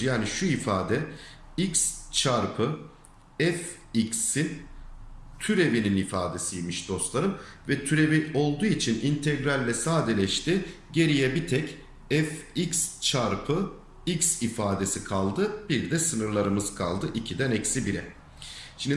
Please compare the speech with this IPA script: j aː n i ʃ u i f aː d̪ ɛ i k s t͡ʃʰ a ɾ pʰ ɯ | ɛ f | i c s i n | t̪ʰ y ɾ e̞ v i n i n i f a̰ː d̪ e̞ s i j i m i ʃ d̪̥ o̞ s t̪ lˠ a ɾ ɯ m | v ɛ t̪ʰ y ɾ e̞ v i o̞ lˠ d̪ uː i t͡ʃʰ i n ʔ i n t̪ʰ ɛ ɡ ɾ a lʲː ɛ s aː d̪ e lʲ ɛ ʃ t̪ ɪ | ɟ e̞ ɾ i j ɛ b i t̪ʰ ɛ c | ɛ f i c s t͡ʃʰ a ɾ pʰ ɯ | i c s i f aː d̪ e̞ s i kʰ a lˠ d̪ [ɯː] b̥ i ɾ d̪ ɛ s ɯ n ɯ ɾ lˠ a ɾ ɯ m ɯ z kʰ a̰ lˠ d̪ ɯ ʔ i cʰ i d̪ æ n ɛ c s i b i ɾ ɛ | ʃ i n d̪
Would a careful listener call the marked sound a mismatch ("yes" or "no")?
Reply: yes